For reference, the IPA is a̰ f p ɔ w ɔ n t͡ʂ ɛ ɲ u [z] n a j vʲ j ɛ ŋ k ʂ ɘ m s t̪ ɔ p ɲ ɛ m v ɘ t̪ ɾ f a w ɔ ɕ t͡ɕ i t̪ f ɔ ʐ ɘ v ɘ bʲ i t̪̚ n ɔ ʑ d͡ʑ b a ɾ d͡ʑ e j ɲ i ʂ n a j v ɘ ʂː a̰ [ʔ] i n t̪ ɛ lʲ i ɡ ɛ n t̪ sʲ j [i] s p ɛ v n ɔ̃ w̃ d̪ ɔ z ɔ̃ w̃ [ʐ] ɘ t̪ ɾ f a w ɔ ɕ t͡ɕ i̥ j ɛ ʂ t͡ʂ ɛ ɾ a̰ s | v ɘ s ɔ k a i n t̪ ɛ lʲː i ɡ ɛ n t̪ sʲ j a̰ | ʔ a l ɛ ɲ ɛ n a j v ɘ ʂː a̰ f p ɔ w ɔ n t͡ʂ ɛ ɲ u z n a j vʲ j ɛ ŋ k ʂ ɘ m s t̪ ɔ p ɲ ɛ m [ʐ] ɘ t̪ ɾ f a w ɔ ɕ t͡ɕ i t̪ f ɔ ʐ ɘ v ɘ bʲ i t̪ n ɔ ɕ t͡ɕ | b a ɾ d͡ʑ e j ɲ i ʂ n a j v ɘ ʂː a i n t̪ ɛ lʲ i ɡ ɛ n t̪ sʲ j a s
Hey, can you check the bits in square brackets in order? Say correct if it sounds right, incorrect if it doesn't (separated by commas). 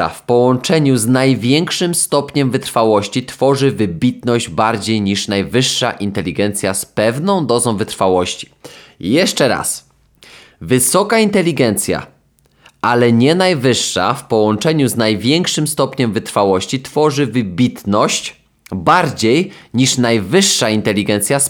correct, correct, incorrect, incorrect, incorrect